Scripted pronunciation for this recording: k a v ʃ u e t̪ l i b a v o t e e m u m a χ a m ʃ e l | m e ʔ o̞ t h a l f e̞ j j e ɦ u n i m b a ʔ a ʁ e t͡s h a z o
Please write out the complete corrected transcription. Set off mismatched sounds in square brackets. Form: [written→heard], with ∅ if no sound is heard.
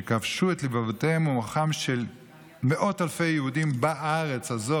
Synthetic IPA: k a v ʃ u e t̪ l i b a v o t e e m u m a χ a m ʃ e l | m e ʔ o̞ t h a l f e̞ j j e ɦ u [n→d] i m b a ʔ a ʁ e t͡s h a z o